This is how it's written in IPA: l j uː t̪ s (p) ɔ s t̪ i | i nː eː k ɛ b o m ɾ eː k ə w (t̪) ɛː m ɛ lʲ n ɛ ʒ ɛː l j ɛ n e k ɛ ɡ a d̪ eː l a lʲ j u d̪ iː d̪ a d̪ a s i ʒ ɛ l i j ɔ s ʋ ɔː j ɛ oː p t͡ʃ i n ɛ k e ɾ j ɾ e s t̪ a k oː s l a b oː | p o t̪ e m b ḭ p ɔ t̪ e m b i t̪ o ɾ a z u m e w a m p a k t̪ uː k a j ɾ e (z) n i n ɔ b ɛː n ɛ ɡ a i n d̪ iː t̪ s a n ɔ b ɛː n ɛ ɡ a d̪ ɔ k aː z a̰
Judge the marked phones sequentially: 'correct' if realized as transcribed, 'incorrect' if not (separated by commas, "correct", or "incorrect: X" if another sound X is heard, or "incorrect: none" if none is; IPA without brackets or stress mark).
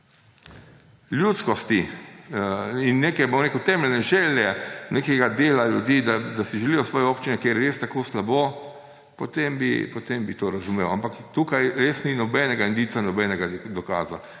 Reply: incorrect: k, correct, incorrect: s